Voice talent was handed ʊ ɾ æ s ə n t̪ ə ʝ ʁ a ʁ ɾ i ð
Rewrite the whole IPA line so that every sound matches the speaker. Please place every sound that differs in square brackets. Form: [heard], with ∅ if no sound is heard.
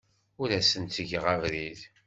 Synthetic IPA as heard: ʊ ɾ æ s ə n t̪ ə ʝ ʁ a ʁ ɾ i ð